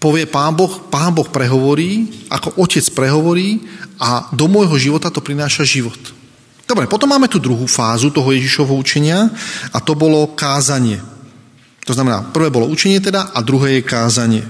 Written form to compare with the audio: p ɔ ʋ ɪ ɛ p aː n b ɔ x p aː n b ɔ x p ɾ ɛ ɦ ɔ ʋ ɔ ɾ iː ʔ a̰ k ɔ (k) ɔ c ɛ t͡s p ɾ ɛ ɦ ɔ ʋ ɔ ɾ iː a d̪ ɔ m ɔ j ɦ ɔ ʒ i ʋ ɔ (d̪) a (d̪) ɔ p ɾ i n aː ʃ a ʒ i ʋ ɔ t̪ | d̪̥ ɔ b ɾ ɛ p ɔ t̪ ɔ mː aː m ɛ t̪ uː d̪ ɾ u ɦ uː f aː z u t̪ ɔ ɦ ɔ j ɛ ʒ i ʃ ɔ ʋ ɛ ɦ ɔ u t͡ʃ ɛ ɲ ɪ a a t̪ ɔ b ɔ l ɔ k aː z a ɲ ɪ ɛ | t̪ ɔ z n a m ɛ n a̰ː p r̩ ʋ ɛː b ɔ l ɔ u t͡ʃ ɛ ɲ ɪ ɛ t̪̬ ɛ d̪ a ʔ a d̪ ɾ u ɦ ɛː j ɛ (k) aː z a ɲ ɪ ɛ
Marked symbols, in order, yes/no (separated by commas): no, no, no, yes